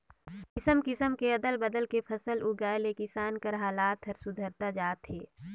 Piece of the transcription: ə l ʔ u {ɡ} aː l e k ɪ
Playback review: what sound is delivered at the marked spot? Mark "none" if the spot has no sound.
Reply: ɡ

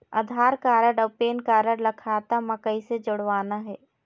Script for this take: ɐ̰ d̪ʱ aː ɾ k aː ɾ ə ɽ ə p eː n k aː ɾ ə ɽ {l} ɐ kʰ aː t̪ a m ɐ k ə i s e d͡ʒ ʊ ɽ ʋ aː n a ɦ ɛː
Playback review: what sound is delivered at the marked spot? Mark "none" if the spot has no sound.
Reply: l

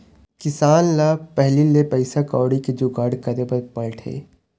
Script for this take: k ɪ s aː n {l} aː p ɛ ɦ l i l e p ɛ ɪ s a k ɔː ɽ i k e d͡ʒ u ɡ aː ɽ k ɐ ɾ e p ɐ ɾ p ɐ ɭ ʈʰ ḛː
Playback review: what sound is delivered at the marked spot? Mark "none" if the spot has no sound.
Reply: l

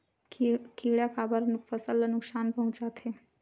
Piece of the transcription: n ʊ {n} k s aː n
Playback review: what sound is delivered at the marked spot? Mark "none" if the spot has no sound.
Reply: none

